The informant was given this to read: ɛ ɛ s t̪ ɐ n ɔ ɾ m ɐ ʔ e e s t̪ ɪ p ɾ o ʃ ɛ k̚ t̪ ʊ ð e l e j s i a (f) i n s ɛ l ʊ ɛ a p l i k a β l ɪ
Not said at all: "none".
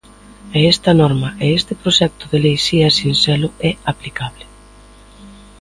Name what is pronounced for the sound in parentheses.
s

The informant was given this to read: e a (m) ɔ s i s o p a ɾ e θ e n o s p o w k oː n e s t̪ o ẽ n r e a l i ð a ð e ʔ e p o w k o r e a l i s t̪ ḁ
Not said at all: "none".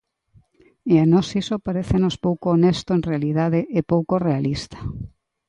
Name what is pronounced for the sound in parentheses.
n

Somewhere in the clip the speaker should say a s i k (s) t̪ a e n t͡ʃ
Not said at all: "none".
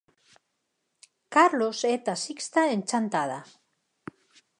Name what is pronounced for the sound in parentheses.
s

